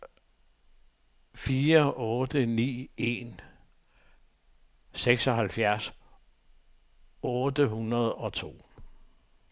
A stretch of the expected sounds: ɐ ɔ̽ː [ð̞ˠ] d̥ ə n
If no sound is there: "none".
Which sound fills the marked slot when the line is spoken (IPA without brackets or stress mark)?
none